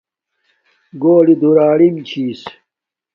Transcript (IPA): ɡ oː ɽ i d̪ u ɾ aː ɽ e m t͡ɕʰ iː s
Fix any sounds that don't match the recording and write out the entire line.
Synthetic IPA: ɡ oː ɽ i d̪ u ɾ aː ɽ i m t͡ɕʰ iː s